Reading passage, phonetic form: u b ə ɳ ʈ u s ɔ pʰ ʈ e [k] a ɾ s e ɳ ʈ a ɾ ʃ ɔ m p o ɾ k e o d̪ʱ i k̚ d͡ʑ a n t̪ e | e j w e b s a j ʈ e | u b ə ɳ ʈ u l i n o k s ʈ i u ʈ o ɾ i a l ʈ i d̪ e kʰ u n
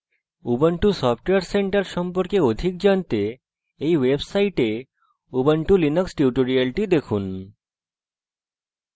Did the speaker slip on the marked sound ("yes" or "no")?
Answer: yes